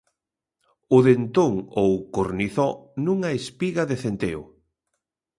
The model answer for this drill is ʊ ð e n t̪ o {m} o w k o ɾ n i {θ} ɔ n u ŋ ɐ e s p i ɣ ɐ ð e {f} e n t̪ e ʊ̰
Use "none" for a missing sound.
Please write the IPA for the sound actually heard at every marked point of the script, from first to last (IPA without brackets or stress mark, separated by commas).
ŋ, θ, θ